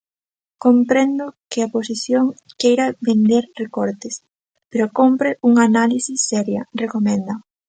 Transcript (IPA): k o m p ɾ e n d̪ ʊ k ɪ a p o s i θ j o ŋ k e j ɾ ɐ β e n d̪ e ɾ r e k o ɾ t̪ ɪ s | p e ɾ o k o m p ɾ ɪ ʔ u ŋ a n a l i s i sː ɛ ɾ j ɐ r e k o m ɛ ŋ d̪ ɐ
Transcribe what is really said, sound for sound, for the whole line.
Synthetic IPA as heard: k o m p ɾ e n d̪ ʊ k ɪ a p o s i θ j o ŋ k e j ɾ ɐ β e n d̪ e ɾ r e k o ɾ t̪ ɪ s | p e ɾ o k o m p ɾ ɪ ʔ u ŋ a n a l i s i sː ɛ ɾ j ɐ r e k o m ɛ n d̪ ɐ